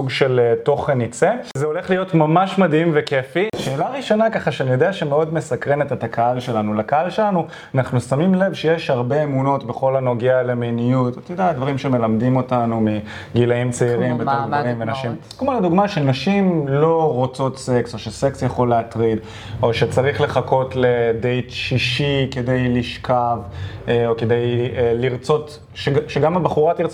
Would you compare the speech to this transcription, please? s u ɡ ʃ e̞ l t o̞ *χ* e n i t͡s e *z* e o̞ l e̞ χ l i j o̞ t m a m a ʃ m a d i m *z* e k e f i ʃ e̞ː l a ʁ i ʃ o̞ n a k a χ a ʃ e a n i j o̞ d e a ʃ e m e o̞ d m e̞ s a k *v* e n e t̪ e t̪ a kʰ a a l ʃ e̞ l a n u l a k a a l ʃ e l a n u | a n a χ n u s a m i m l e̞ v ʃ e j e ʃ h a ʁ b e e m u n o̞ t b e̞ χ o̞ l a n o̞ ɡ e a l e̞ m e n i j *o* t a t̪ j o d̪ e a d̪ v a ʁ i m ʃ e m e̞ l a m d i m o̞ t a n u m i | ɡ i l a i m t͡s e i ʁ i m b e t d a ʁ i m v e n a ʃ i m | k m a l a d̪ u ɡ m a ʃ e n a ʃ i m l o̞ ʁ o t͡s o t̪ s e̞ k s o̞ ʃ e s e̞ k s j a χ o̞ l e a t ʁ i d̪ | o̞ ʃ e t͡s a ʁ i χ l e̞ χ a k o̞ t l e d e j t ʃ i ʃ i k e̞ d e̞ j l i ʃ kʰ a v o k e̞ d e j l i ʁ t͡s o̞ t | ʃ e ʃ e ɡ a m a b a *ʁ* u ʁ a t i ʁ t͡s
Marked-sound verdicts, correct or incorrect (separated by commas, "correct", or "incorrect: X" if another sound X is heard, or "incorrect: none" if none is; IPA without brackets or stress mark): correct, correct, incorrect: v, incorrect: ʁ, incorrect: u, incorrect: χ